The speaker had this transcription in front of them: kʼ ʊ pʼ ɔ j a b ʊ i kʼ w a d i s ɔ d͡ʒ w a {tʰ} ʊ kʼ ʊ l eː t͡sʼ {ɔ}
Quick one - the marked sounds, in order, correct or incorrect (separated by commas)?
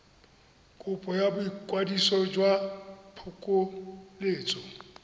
incorrect, correct